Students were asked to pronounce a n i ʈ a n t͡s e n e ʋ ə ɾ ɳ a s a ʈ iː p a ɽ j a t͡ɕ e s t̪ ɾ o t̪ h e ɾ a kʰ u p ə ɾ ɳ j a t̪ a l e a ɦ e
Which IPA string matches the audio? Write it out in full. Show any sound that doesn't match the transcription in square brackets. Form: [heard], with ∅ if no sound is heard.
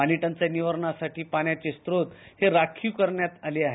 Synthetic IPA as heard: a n i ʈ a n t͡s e n [i] ʋ ə ɾ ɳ a s a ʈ iː p a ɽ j a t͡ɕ e s t̪ ɾ o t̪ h e ɾ a kʰ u [k] ə ɾ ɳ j a t̪ a l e a ɦ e